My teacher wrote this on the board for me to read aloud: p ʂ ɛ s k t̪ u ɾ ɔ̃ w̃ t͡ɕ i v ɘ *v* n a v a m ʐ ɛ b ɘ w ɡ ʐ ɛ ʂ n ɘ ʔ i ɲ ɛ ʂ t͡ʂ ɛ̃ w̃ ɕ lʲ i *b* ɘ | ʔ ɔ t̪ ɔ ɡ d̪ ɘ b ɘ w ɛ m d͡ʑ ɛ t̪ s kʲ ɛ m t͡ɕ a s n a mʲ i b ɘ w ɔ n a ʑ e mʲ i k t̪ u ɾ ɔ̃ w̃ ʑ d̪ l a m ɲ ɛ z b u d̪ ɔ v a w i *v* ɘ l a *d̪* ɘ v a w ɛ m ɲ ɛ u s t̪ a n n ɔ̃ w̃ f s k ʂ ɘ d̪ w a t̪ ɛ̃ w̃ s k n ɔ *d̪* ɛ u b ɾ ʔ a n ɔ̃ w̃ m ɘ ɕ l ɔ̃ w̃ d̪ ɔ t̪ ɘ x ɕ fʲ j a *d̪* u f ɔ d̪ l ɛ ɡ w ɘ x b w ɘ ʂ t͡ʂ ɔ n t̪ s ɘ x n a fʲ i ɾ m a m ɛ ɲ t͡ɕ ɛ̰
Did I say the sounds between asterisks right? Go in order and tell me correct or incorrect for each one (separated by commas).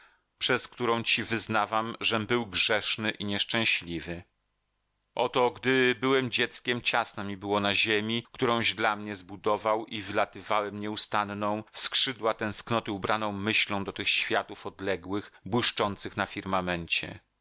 incorrect, incorrect, correct, incorrect, incorrect, incorrect